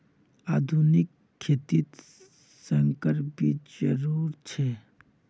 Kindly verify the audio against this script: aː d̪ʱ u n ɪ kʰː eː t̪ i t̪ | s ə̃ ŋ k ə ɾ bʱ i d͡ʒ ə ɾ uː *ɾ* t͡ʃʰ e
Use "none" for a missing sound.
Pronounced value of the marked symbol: ɾ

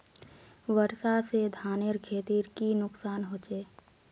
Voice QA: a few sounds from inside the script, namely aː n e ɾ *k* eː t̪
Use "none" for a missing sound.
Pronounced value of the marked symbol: kʰ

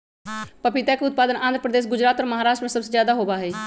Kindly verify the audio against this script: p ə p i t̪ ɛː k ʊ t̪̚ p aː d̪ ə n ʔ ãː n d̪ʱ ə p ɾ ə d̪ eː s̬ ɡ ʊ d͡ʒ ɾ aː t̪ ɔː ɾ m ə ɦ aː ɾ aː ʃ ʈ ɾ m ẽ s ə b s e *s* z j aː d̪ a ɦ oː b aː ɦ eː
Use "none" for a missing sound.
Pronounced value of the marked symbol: none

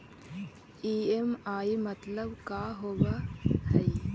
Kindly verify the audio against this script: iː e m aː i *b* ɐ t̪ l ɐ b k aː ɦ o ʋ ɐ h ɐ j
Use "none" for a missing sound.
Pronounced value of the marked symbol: m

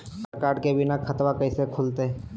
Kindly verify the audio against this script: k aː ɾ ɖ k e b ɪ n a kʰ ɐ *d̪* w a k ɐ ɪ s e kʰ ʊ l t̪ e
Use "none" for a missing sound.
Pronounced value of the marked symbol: t̪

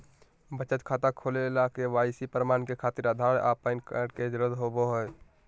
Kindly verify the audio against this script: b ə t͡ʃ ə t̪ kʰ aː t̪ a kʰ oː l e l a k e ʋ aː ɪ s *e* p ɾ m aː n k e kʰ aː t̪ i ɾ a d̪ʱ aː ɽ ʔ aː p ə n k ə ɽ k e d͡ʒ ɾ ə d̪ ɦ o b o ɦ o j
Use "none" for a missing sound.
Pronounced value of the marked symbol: i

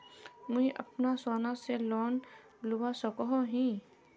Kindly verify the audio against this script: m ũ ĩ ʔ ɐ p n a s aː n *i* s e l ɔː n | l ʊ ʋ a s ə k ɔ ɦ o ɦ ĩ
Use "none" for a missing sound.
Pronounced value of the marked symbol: a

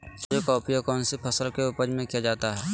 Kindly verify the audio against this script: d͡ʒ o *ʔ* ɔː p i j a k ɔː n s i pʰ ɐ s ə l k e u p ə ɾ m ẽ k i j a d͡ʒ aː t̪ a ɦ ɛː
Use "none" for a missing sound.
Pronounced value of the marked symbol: k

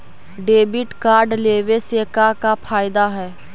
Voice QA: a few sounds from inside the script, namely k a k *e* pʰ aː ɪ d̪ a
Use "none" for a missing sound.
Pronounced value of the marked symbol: a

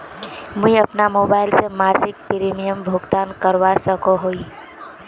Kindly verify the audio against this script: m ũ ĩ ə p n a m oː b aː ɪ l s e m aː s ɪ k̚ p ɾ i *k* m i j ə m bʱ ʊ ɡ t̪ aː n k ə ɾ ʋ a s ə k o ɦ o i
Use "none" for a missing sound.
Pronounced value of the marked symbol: none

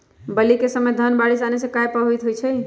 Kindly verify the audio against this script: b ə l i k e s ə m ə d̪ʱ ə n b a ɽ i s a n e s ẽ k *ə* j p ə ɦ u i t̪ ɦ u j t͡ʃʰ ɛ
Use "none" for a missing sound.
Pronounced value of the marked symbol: a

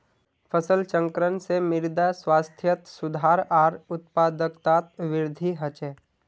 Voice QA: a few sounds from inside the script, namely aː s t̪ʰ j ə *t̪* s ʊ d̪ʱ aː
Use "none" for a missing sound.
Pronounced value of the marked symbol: t̪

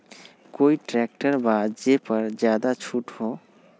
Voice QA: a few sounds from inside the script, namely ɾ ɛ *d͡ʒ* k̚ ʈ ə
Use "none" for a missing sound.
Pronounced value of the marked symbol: none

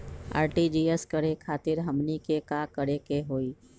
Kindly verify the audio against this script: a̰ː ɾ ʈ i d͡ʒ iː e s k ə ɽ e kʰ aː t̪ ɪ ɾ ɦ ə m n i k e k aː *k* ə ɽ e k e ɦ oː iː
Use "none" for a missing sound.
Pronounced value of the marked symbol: k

